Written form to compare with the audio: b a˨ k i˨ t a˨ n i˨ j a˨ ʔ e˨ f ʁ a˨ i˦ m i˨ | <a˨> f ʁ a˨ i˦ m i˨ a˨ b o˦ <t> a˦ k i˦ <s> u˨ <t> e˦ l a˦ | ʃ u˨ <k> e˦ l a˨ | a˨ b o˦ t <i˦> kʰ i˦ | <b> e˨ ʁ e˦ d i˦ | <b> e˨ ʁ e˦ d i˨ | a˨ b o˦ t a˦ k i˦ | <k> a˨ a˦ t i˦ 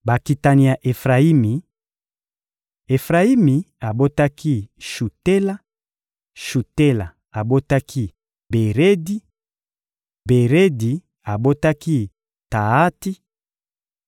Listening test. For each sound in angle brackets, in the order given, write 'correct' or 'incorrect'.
incorrect: e˨, correct, incorrect: ʃ, correct, incorrect: t, incorrect: a˦, correct, correct, incorrect: t

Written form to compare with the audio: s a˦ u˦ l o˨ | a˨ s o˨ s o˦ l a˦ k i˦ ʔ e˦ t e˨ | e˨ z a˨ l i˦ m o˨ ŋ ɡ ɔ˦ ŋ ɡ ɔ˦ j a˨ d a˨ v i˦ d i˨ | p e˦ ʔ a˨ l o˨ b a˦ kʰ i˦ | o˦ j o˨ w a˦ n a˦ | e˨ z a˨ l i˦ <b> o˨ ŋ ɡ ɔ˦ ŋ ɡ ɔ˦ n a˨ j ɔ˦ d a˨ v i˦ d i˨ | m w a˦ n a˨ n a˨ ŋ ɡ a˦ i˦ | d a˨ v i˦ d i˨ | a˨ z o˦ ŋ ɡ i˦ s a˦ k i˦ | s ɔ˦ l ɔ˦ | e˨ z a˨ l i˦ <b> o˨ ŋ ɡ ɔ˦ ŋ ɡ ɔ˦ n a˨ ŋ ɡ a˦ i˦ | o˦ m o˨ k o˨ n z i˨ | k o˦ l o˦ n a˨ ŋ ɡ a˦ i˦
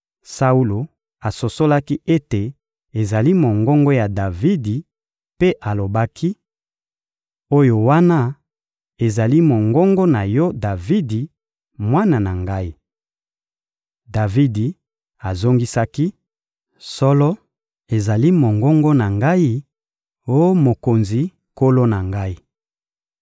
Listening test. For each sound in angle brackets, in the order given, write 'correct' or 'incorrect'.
incorrect: m, incorrect: m

